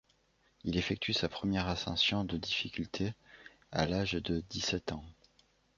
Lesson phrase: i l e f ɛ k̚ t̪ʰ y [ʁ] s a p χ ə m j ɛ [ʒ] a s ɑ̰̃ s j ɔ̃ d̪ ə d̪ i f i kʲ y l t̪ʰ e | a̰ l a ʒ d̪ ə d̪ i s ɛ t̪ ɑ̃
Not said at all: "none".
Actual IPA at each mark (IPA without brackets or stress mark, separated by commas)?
none, ʁ